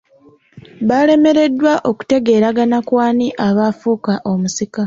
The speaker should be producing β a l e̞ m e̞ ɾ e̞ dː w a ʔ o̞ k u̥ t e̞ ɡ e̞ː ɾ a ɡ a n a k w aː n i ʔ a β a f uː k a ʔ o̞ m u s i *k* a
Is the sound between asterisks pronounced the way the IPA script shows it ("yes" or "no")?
yes